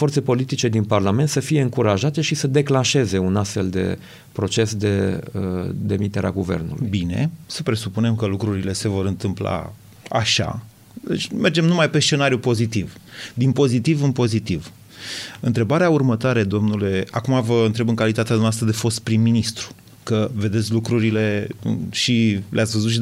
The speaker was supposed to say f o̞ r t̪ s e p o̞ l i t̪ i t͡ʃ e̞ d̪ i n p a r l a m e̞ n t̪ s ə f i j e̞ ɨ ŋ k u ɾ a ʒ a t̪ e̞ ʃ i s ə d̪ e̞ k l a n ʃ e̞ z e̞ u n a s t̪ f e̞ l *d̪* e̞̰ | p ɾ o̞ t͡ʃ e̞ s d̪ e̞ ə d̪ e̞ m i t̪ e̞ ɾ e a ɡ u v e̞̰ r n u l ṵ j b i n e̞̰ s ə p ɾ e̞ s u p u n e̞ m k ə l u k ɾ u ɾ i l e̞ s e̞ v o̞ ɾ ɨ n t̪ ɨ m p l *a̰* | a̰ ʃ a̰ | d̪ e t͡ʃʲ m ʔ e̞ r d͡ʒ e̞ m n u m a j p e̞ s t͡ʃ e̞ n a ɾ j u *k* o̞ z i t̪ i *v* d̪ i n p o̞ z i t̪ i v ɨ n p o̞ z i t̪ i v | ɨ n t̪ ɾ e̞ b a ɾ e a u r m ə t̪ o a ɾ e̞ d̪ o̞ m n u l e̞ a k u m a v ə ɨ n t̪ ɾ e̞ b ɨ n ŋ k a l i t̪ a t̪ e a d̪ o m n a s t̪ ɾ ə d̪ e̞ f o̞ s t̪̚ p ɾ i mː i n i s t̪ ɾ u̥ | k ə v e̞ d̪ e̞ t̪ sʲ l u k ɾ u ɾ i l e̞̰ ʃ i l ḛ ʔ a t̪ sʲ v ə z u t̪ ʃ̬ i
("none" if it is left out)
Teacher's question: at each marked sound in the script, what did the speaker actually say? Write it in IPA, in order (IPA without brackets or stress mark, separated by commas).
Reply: d̪, a̰, p, v